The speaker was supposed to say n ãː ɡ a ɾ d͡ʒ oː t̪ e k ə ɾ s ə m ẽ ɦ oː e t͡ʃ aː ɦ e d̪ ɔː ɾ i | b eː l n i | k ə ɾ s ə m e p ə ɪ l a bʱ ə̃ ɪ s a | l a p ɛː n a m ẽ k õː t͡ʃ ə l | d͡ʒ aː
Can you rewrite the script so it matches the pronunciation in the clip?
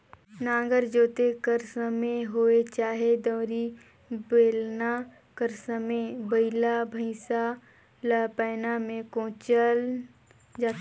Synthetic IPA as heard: n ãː ɡ ə ɾ d͡ʒ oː t̪ e k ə ɾ s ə m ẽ ɦ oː e t͡ʃ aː ɦ e d̪ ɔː ɾ i | b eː l n a | k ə ɾ s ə m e b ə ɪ l a bʱ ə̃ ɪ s a | l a p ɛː n a m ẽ k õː t͡ʃ ə l | d͡ʒ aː